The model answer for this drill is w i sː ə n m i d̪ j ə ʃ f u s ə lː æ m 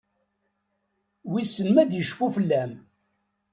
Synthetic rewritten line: w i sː ə n m æ d̪ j ə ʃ f u f ə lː æ m

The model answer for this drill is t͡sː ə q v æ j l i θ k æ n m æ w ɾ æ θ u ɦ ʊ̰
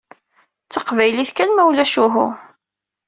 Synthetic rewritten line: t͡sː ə q v æ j l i θ k æ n m æ w l æ ʃ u ɦ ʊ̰

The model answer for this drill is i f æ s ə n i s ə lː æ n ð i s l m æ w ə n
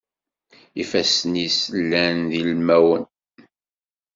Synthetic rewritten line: i f æ s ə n i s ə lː æ n ð i l m æ w ə n

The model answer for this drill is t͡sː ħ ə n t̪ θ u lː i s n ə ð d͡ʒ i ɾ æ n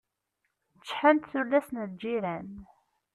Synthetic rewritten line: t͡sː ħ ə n t̪ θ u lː æ s n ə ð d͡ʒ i ɾ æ n

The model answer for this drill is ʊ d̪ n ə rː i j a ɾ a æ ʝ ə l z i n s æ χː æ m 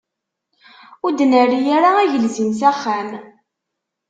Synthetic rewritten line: ʊ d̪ n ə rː i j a ɾ a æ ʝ ə l z i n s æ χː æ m

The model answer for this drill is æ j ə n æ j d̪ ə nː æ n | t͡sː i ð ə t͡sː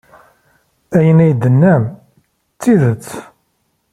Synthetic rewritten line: æ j ə n æ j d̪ ə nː æ m | t͡sː i ð ə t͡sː

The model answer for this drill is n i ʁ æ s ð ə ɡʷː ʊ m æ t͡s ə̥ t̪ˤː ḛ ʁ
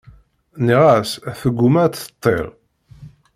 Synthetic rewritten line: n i ʁ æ s θ ə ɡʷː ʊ m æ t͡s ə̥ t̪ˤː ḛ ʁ

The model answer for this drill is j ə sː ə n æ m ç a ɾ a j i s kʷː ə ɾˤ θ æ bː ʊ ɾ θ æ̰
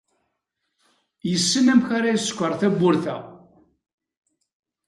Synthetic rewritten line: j ə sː ə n æ m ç a ɾ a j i s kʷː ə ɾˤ θ æ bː ʊ ɾ θ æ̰

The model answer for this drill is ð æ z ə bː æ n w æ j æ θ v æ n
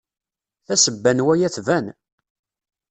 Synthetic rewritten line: θ æ s ə bː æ n w æ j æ θ v æ n

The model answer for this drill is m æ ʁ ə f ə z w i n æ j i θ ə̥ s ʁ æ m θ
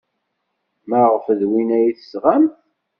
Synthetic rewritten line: m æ ʁ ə f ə ð w i n æ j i θ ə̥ s ʁ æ m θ

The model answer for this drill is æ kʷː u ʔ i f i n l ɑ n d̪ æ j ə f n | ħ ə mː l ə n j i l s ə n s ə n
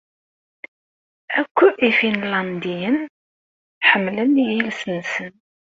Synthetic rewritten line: æ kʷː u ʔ i f i n l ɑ n d̪ i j ə n | ħ ə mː l ə n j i l s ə n s ə n

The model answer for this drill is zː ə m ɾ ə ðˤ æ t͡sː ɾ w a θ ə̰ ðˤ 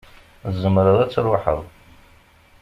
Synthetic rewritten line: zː ə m ɾ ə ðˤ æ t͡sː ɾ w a ħ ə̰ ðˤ

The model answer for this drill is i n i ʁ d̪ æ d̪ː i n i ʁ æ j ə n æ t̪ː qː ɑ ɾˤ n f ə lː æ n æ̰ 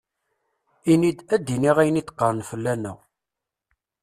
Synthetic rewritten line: i n i d̪ æ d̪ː i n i ʁ æ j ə n i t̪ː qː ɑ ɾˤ n f ə lː æ n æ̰

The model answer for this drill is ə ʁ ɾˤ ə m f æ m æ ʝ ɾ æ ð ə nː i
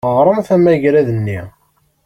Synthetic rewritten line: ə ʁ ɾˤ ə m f æ m æ ʝ ɾ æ ð ə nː i

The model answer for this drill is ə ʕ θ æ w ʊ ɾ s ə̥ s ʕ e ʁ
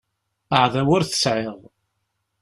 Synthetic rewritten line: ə ʕ ð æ w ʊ ɾ θ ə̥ s ʕ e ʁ

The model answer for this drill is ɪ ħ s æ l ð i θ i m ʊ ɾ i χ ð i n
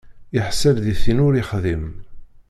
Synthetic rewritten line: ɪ ħ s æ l ð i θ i n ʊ ɾ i χ ð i m

